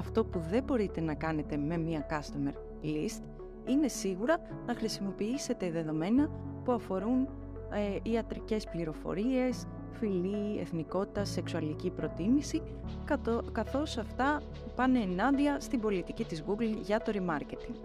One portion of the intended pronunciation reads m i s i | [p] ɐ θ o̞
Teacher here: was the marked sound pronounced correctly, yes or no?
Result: no